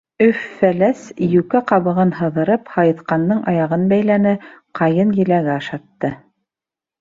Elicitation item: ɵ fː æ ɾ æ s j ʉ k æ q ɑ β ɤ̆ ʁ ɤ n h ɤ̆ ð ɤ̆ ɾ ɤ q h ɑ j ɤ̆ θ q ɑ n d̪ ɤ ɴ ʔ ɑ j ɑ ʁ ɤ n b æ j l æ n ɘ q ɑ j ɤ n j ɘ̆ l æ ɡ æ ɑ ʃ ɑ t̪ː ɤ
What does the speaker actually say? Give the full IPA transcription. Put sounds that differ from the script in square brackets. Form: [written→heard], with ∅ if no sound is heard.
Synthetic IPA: ɵ fː æ [ɾ→l] æ s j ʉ k æ q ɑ β ɤ̆ ʁ ɤ n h ɤ̆ ð ɤ̆ ɾ ɤ [q→p] h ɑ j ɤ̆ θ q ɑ n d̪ ɤ ɴ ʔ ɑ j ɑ ʁ ɤ n b æ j l æ n ɘ q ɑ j ɤ n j ɘ̆ l æ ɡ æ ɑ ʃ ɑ t̪ː ɤ